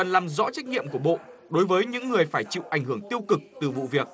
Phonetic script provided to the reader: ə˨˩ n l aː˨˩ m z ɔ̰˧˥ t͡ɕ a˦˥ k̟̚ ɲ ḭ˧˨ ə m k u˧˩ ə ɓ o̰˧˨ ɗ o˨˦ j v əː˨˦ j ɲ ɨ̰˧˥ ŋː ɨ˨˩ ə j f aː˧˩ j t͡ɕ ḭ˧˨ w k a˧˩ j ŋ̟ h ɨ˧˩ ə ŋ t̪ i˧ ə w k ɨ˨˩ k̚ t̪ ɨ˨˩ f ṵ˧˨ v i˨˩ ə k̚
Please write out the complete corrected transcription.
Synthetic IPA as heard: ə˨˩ n l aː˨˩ m z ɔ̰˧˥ t͡ɕ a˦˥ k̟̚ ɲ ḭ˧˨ ə m k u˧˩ ə ɓ o̰˧˨ ɗ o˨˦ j v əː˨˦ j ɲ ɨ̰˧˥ ŋː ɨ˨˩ ə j f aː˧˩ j t͡ɕ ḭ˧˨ w ʔ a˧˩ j ŋ̟ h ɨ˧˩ ə ŋ t̪ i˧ ə w k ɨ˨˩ k̚ t̪ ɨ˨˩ v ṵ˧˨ v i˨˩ ə k̚

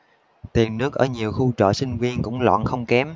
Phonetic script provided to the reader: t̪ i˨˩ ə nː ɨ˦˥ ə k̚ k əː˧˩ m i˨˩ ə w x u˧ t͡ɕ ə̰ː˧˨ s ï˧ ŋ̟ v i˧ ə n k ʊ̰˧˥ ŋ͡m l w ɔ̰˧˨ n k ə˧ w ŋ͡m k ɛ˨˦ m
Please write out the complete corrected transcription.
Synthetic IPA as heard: t̪ i˨˩ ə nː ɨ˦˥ ə k̚ ʔ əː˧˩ ɲ i˨˩ ə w x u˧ t͡ɕ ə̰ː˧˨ s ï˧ ŋ̟ v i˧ ə n k ʊ̰˧˥ ŋ͡m l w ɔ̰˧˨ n x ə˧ w ŋ͡m k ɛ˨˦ m

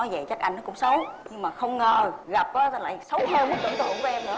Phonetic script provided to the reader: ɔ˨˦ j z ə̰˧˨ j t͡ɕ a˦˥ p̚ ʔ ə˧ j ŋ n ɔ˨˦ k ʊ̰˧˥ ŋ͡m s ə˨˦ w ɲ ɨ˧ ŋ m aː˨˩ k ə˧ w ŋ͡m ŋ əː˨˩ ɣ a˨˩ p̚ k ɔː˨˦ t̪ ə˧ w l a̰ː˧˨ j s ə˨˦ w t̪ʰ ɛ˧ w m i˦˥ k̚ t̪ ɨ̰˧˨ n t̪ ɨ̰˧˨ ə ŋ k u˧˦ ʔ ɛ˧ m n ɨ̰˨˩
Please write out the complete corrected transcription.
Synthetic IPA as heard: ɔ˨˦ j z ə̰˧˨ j t͡ɕ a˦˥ k̚ ʔ a˧ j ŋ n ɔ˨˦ k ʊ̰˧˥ ŋ͡m s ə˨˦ w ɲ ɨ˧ ŋ m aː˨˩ x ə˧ w ŋ͡m ŋ əː˨˩ ɣ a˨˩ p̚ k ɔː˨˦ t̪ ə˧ l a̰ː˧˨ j s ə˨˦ w t̪ʰ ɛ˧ w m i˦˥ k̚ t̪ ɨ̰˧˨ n t̪ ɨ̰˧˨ ə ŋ k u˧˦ ʔ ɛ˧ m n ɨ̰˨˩

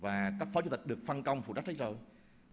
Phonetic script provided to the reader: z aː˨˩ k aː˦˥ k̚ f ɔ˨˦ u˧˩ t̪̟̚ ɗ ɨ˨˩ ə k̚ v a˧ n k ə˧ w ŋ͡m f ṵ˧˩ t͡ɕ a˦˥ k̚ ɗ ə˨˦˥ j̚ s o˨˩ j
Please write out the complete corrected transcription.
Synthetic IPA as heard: v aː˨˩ k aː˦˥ k̚ f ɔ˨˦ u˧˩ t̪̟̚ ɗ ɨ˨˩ ə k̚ f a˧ n k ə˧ w ŋ͡m f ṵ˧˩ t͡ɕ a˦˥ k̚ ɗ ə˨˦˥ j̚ z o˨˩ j

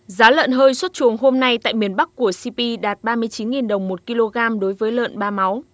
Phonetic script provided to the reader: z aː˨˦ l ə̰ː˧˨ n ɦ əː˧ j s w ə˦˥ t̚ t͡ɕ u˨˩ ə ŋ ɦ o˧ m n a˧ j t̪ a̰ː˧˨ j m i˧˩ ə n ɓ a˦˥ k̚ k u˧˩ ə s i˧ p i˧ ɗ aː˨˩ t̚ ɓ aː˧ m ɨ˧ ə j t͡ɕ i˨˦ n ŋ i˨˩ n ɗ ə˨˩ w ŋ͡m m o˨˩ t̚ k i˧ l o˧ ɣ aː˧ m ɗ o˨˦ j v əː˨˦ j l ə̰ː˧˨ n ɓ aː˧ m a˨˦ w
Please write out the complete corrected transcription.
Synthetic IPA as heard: z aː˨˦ l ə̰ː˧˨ n ɦ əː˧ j s w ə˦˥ t̚ t͡ɕ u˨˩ ə ŋ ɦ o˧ m n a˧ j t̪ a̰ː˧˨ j m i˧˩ ə n ɓ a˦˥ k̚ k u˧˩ ə s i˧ p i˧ ɗ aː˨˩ t̚ ɓ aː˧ m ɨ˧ ə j t͡ɕ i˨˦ n ŋ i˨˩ n ɗ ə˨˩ w ŋ͡m m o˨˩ t̚ k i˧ l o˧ ɣ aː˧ m ɗ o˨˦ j v əː˨˦ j l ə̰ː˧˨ n ɓ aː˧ m a˨˦ w

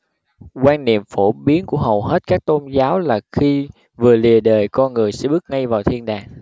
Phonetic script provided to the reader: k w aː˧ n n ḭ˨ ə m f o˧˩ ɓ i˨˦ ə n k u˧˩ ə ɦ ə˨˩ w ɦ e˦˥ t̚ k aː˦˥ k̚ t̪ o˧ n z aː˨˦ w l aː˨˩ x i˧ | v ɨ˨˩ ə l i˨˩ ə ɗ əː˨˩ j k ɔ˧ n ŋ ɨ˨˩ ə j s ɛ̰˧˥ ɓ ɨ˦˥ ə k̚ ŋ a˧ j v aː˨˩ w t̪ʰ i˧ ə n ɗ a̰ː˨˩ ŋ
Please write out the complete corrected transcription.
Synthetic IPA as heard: k w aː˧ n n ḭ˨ ə m f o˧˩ ɓ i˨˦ ə n k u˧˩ ə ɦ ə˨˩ w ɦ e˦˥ t̚ k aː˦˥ k̚ t̪ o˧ n z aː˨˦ w l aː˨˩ x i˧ | v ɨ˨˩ ə l i˨˩ ə ɗ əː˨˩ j k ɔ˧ n ŋ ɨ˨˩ ə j s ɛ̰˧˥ ɓ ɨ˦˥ ə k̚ ŋ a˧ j v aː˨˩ w t̪ʰ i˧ ə n ɗ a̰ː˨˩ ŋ

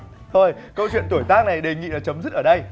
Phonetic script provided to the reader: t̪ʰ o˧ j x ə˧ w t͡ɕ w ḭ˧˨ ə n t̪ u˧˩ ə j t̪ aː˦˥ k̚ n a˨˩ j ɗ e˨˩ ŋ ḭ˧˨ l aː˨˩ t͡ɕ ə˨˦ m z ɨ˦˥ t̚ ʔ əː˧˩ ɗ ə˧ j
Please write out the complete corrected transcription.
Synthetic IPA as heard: t̪ʰ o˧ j k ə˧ w t͡ɕ w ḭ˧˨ ə n t̪ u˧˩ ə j t̪ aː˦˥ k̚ n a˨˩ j ɗ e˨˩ ŋ ḭ˧˨ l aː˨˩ t͡ɕ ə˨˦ m z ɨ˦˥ t̚ ʔ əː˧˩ ɗ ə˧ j

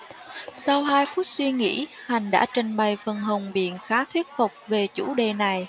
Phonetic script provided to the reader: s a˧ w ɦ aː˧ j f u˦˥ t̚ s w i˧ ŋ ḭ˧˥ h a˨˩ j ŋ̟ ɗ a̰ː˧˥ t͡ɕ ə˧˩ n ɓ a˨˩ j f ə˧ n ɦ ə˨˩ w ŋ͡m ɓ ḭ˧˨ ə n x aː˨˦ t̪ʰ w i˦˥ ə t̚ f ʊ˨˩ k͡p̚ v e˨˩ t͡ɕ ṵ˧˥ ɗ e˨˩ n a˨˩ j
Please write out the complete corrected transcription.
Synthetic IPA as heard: s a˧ w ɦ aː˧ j f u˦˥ t̚ s w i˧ ŋ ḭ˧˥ h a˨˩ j ŋ̟ ɗ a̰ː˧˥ t͡ɕ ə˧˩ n ɓ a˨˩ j f ə˨˩ n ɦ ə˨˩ w ŋ͡m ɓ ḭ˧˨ ə n x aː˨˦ t̪ʰ w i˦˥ ə t̚ f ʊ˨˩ k͡p̚ v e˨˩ t͡ɕ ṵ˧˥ ɗ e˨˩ n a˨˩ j

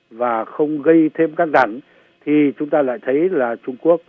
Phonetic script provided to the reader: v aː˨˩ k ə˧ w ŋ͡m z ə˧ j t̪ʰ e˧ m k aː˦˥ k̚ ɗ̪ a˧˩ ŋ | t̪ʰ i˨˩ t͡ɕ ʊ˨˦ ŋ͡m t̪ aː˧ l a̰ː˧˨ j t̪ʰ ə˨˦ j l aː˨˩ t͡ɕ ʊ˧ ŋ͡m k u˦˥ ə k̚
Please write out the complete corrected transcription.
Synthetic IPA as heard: v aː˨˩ x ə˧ w ŋ͡m ɣ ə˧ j t̪ʰ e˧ m k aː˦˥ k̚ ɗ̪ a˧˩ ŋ | t̪ʰ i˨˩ t͡ɕ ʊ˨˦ ŋ͡m t̪ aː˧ l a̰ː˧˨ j t̪ʰ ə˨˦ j l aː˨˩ t͡ɕ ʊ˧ ŋ͡m k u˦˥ ə k̚

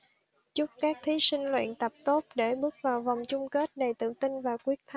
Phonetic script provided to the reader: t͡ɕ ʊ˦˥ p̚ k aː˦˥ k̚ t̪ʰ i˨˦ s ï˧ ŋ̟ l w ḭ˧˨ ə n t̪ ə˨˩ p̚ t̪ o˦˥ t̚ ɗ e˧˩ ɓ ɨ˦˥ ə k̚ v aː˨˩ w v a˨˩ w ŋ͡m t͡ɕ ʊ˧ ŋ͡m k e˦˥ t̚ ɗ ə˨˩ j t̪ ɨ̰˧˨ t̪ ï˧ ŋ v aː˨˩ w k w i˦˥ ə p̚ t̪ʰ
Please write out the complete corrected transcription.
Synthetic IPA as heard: t͡ɕ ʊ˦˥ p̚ k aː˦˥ k̚ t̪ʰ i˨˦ s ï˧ ŋ̟ l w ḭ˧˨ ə n t̪ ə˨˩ p̚ t̪ o˦˥ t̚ ɗ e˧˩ ɓ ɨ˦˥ ə k̚ v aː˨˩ w v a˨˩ w ŋ͡m t͡ɕ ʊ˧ ŋ͡m k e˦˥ t̚ ɗ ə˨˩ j t̪ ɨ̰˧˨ t̪ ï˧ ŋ v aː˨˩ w k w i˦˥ ə k̚ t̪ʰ

